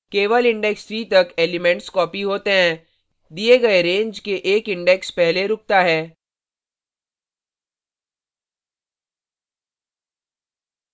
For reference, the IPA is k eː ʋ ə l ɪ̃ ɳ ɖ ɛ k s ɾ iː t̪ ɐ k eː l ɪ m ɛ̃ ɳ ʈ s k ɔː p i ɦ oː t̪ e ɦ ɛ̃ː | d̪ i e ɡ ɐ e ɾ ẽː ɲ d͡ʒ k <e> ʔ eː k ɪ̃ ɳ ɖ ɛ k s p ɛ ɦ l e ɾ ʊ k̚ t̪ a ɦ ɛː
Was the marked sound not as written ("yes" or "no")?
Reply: no